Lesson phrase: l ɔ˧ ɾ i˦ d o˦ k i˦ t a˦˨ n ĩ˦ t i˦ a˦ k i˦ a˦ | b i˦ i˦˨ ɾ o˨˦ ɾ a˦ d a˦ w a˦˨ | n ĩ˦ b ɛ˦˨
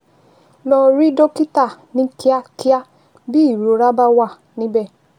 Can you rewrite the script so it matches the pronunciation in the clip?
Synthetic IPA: l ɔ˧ ɾ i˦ d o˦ k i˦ t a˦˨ n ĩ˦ k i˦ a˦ k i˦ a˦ | b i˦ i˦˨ ɾ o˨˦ ɾ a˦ b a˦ w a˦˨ | n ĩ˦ b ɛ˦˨